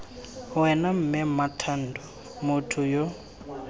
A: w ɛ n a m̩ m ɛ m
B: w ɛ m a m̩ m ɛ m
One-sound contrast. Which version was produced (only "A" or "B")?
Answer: A